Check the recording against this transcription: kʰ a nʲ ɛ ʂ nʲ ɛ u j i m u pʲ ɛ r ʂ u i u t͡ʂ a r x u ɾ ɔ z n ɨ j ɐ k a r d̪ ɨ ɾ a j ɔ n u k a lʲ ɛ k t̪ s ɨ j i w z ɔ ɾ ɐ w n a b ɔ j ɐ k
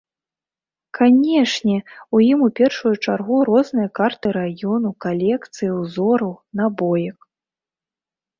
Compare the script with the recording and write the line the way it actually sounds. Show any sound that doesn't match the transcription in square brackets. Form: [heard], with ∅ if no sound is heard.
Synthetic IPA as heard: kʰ a nʲ ɛ ʂ nʲ ɛ u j i m u pʲ ɛ r ʂ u [j] u t͡ʂ a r [ɣ] u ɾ ɔ z n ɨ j ɐ k a r [t̪] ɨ ɾ a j ɔ n u k a lʲ ɛ k t̪ s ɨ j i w z ɔ ɾ ɐ w n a b ɔ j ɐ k